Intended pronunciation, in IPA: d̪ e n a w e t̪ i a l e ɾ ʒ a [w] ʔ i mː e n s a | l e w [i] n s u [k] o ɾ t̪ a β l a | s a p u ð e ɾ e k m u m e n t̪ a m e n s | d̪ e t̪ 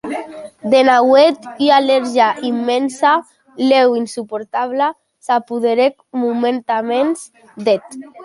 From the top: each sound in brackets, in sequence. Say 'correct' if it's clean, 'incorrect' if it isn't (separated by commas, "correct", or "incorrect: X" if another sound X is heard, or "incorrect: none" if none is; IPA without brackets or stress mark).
incorrect: none, correct, incorrect: p